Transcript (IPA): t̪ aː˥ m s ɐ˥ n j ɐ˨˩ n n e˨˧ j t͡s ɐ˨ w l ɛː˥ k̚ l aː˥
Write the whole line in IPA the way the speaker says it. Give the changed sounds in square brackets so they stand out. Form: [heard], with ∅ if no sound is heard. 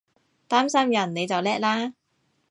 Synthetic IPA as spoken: t̪ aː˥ m s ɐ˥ [m] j ɐ˨˩ n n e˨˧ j t͡s ɐ˨ w l ɛː˥ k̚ l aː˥

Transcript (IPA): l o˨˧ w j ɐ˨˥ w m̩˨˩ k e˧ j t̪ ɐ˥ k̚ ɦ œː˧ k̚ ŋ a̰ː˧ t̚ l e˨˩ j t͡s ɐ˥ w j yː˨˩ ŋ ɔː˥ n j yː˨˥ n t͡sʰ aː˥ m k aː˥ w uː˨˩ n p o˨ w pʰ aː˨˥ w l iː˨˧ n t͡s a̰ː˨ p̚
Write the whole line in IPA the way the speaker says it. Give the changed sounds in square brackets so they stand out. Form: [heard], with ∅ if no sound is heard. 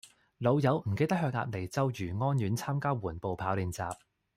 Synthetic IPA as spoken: l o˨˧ w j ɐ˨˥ w m̩˨˩ k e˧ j t̪ ɐ˥ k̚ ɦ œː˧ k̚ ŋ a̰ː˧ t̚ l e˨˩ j t͡s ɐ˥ w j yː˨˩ ŋ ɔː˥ n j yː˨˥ n t͡sʰ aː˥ m k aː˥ w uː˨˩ n p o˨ w pʰ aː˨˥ w l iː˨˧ n t͡s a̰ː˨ p̚

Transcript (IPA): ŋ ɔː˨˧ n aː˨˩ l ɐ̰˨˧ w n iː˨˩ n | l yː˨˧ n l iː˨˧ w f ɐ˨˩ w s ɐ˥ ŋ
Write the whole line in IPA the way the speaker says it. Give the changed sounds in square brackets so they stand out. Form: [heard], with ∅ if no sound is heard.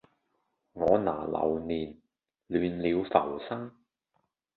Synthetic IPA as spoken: ŋ ɔː˨˧ n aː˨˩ l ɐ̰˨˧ w n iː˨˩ n | l yː˨˧ n l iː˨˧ w f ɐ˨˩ w s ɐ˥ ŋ

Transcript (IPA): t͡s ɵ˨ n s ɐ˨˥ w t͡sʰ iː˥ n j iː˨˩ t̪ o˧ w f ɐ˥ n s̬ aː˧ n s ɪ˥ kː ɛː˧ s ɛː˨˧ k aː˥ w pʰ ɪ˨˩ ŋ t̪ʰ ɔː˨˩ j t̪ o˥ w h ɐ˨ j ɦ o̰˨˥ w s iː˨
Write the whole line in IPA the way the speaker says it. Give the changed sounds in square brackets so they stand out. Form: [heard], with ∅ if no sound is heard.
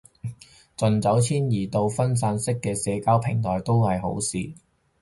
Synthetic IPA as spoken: t͡s ɵ˨ n [t͡s] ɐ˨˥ w t͡sʰ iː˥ n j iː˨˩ t̪ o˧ w f ɐ˥ n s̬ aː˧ n s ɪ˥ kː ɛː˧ s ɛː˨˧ k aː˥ w pʰ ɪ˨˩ ŋ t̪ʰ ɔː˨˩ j t̪ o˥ w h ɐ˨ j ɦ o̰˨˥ w s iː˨

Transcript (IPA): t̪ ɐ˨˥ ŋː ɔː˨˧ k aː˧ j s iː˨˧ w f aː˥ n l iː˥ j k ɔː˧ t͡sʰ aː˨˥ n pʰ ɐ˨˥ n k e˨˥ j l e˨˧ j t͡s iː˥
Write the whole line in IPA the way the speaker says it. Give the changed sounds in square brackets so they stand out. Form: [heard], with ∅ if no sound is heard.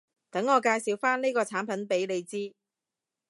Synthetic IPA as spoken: t̪ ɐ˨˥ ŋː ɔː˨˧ k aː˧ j s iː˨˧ w f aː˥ n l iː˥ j k ɔː˧ t͡sʰ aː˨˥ n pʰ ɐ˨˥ n [p] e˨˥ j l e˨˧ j t͡s iː˥

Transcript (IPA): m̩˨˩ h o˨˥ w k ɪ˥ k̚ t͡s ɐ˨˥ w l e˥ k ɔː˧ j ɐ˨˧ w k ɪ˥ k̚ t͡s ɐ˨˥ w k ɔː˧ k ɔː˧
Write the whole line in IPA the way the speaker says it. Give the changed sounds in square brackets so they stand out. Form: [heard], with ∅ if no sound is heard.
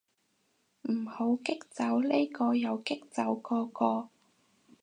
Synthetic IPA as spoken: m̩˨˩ h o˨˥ w k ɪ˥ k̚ t͡s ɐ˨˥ w l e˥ k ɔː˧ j ɐ˨˧ w k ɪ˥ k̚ t͡s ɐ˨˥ w k ɔː˧ k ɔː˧

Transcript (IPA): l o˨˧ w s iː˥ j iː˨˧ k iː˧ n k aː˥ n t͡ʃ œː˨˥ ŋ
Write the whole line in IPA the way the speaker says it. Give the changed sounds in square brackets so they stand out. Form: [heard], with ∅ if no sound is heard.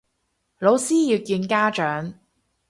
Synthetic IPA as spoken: l o˨˧ w s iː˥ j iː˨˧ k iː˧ n k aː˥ [∅] t͡ʃ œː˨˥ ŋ

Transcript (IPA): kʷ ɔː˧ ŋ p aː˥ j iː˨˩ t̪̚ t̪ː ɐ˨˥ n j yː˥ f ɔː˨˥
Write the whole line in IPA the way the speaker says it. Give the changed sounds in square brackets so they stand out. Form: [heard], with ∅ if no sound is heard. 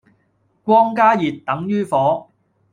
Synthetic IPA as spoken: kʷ [ɔː˥] ŋ [k] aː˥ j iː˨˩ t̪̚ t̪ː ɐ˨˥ [ŋ] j yː˥ f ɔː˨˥

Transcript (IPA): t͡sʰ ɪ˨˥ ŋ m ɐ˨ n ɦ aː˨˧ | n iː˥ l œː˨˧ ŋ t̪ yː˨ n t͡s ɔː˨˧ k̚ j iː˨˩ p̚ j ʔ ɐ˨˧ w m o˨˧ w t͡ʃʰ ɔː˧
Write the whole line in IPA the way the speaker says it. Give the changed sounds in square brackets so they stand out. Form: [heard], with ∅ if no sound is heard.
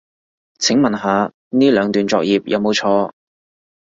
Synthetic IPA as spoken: t͡sʰ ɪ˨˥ ŋ m ɐ˨ n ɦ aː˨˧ | n iː˥ l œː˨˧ ŋ t̪ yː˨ n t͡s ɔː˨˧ k̚ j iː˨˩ p̚ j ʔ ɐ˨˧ w m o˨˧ w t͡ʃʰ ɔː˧

